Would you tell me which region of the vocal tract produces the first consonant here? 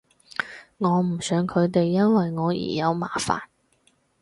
velum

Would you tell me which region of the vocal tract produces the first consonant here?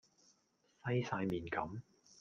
tongue tip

